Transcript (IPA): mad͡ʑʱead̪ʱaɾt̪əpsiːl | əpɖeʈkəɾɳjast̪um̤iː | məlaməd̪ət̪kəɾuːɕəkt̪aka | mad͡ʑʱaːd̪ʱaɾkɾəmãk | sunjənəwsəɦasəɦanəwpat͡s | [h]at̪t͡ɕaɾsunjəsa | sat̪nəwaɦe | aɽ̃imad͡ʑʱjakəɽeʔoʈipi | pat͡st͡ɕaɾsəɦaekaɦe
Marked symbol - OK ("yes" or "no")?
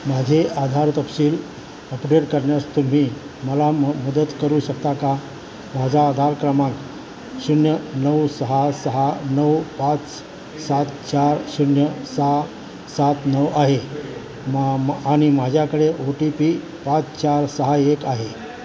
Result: no